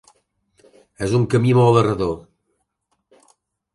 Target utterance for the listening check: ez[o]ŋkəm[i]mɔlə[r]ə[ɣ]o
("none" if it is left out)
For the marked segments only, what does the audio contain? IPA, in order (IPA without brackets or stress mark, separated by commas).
u, i, r, ð